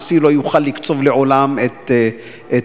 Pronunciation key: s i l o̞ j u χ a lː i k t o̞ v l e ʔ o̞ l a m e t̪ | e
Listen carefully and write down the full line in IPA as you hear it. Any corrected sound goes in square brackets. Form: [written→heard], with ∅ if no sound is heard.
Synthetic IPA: s i l o̞ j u χ a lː i k [t→t͡s] o̞ v l e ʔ o̞ l a m e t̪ | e